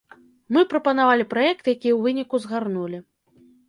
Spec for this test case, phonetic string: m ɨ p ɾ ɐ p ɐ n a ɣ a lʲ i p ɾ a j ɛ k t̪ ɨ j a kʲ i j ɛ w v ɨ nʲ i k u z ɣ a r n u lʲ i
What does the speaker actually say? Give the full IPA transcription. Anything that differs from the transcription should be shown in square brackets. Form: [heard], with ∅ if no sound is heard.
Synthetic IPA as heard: m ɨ p ɾ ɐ p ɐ n a [v] a lʲ i p ɾ a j ɛ k t̪ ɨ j a kʲ i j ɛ w v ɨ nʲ i k u z ɣ a r n u lʲ i